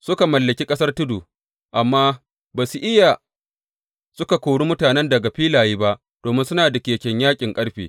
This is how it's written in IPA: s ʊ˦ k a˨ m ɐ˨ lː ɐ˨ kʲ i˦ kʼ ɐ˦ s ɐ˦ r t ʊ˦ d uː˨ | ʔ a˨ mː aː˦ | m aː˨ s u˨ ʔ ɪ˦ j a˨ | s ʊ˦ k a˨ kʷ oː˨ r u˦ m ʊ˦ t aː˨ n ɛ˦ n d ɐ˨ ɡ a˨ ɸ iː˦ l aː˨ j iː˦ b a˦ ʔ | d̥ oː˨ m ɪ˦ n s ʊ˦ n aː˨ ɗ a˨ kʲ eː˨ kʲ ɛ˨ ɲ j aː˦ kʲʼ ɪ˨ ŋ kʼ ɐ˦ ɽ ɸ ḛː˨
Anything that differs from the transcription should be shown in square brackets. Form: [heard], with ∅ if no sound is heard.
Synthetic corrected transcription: s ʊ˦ k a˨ m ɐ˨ lː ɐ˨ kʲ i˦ kʼ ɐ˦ s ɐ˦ r t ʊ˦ d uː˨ | ʔ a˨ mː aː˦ | [b] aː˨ s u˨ ʔ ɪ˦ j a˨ | s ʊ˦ k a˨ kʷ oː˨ [ɽ] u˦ m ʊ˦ t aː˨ n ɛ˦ n d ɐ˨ ɡ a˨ ɸ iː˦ l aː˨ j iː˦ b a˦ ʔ | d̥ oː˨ m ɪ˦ n s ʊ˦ n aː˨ [d] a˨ kʲ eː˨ kʲ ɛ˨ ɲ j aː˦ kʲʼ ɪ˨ ŋ kʼ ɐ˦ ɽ ɸ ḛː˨